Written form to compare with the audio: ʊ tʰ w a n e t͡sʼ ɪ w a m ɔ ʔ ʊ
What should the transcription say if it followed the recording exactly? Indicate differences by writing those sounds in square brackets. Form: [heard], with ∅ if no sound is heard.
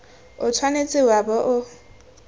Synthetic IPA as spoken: ʊ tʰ w a n e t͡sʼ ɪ w a [b] ɔ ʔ ʊ